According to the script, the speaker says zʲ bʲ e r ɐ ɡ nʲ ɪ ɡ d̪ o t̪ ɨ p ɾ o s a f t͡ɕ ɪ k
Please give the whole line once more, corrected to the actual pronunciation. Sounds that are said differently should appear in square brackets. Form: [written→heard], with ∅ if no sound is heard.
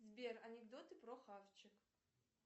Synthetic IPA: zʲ bʲ e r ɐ [ɡ→∅] nʲ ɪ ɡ d̪ o t̪ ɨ p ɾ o [s→x] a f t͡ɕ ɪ k